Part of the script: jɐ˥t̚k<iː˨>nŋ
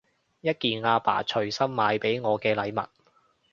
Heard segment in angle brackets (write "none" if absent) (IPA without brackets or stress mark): iː˨